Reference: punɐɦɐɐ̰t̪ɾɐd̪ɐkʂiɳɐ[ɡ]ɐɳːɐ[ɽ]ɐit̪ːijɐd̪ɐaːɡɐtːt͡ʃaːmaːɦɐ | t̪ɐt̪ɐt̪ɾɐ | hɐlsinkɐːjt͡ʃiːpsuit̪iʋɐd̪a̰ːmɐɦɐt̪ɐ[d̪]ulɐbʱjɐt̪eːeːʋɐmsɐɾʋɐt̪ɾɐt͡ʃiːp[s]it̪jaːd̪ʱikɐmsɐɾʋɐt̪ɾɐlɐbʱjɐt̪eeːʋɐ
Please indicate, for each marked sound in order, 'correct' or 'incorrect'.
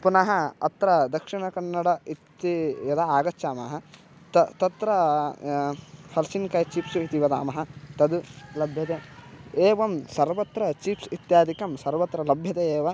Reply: incorrect, correct, correct, correct

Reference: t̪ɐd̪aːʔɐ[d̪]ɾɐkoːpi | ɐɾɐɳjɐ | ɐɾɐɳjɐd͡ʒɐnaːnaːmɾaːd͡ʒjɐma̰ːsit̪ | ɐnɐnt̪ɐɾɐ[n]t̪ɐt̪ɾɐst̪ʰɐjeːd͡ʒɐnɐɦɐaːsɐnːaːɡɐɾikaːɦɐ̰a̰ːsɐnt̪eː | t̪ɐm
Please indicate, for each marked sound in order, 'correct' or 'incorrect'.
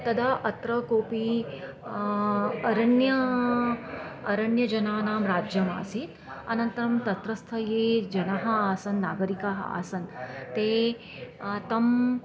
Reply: incorrect, incorrect

